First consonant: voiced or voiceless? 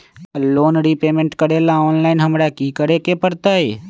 voiced